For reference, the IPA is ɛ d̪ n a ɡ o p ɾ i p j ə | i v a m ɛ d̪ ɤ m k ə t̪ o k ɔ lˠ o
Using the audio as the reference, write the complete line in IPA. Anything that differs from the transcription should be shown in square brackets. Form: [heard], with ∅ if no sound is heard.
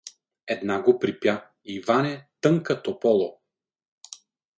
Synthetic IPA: ɛ d̪ n a ɡ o p ɾ i p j [a] | i v a [n] ɛ [t̪] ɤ [ŋ] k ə t̪ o [p] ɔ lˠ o